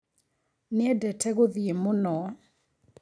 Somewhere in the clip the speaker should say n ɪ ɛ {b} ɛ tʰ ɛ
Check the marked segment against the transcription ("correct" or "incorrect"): incorrect